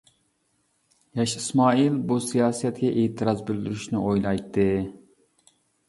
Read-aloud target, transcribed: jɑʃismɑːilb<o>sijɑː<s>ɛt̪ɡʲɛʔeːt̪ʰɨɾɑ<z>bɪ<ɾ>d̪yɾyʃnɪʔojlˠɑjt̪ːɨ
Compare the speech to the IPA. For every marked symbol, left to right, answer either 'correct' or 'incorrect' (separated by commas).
incorrect, correct, correct, incorrect